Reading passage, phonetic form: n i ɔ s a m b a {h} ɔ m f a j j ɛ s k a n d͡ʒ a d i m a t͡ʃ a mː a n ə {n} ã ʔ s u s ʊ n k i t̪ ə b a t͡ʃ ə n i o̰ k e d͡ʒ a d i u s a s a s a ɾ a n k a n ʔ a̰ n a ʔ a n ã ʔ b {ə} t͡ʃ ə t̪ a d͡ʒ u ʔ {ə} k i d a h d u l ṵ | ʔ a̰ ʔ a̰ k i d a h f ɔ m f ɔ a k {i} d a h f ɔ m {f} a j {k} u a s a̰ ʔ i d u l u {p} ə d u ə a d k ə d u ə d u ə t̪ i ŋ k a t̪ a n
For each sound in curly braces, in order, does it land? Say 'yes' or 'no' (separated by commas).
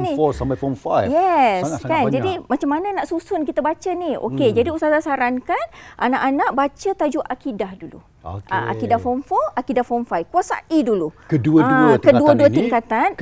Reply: no, yes, no, no, yes, yes, yes, no